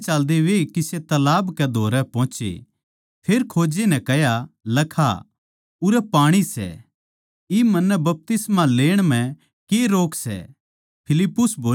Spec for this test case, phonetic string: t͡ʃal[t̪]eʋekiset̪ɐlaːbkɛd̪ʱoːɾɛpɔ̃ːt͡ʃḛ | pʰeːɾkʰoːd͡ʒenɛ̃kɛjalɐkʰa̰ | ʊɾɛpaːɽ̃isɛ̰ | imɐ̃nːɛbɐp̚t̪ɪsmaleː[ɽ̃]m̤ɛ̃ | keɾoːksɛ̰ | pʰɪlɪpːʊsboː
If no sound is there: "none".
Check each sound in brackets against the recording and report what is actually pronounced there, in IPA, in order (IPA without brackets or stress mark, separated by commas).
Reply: d̪, ɽ̃